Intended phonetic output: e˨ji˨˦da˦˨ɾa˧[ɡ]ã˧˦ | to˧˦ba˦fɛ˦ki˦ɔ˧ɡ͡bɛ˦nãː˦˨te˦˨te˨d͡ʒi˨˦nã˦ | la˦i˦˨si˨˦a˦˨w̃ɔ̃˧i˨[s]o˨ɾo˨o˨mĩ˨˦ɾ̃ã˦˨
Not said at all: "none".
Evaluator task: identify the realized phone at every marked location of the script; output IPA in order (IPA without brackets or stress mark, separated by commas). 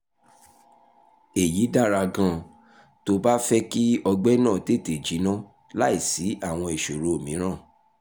ɡ, ʃ